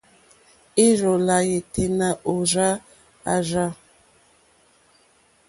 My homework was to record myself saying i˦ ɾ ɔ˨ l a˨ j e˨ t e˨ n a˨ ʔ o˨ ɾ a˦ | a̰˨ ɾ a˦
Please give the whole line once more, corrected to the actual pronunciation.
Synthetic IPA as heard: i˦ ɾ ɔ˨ l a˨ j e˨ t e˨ n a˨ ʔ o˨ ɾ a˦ | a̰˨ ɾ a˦